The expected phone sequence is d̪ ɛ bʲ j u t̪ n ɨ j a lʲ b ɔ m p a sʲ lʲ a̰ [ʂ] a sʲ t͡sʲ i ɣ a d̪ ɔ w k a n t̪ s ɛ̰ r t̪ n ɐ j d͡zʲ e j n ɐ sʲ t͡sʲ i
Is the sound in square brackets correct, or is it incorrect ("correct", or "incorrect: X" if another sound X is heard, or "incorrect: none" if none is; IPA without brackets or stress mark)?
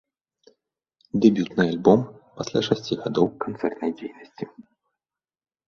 correct